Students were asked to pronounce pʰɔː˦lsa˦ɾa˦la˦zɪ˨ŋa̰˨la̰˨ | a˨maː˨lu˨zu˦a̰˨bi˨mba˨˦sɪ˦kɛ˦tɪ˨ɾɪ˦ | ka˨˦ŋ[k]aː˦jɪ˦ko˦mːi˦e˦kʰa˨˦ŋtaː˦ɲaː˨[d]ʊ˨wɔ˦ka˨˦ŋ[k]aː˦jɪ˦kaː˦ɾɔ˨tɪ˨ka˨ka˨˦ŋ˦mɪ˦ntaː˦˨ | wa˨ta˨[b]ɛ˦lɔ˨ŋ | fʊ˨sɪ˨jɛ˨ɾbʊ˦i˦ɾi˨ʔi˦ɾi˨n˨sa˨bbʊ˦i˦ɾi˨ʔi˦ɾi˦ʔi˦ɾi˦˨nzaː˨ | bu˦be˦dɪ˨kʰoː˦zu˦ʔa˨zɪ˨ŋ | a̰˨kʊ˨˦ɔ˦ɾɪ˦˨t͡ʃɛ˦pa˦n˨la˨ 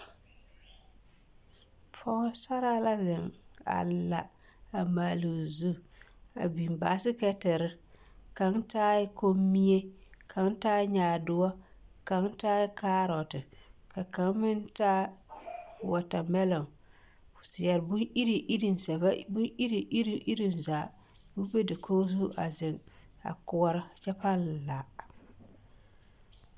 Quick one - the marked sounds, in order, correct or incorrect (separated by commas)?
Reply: incorrect, correct, incorrect, incorrect